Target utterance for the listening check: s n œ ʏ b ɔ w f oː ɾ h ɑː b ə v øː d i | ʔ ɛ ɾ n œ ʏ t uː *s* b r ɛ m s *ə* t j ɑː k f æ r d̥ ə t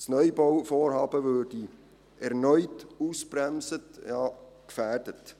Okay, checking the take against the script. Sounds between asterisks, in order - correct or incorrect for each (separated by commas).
correct, correct